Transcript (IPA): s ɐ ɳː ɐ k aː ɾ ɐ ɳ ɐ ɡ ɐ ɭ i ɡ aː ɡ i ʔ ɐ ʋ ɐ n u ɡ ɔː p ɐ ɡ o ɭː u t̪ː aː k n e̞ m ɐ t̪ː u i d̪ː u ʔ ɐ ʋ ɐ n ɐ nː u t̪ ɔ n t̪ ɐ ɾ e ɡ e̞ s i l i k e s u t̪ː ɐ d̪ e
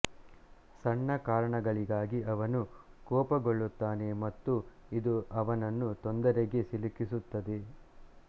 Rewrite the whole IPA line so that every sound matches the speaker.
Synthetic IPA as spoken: s ɐ ɳː ɐ k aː ɾ ɐ ɳ ɐ ɡ ɐ ɭ i ɡ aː ɡ i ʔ ɐ ʋ ɐ n u k ɔː p ɐ ɡ o ɭː u t̪ː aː n e̞ m ɐ t̪ː u i d̪ u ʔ ɐ ʋ ɐ n ɐ nː u t̪ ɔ n d̪ ɐ ɾ e ɡ e̞ s i l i k i s u t̪ː ɐ d̪ e